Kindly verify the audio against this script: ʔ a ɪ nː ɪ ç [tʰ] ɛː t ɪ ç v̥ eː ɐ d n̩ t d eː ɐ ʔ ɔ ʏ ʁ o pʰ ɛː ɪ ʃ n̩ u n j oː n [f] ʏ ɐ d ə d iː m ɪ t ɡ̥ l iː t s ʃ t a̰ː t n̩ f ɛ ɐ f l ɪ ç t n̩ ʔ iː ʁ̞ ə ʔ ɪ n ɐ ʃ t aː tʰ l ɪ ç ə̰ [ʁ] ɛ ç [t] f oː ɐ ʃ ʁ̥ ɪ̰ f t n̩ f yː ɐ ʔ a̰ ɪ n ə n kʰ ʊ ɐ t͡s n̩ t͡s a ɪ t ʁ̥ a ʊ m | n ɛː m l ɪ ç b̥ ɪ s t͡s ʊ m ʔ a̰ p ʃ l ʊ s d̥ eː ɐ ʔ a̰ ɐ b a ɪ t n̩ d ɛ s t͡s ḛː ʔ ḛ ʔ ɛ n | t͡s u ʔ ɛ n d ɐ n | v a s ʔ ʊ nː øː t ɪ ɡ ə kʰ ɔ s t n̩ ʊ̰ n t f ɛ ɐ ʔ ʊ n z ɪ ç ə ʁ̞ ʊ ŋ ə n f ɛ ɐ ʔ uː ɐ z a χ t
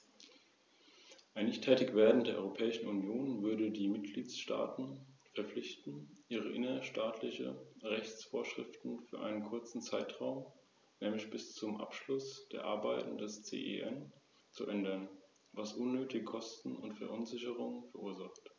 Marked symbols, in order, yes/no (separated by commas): yes, no, yes, no